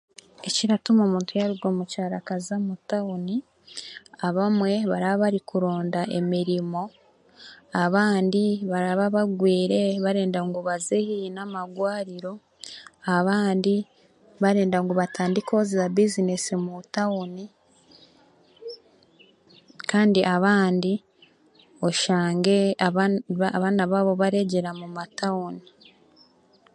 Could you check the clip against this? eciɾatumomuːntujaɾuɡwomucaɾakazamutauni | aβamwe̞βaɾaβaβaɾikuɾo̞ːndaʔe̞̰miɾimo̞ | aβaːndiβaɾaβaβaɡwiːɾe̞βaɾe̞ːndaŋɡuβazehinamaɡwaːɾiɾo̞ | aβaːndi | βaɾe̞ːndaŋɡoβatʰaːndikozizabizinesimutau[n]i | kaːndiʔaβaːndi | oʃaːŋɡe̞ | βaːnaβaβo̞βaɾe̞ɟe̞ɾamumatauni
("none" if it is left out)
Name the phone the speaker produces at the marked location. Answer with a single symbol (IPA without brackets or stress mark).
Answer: n